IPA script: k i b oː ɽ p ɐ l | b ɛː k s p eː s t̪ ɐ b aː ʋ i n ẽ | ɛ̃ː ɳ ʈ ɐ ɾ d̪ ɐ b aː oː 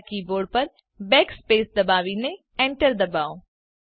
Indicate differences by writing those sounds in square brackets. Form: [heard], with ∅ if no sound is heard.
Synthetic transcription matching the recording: k i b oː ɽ p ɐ [ɾ] | b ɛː k s p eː s [d̪] ɐ b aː ʋ i n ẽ | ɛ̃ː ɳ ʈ [ə] ɾ d̪ ɐ b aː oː